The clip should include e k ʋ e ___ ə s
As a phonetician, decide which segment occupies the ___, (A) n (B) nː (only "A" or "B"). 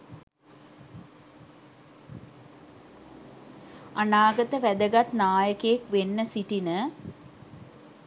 B